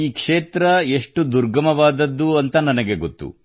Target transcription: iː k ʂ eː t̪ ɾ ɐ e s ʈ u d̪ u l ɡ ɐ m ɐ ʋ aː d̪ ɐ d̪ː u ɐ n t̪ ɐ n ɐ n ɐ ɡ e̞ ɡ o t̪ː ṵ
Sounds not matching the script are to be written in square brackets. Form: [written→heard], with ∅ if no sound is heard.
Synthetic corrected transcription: iː k ʂ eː t̪ ɾ ɐ e [s→ʂ] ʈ u d̪ u [l→ɾ] ɡ ɐ m ɐ ʋ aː d̪ ɐ d̪ː u ɐ n t̪ ɐ n ɐ n ɐ ɡ e̞ ɡ o t̪ː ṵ